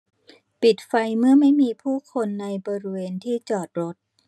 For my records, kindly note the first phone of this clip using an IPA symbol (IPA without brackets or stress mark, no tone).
p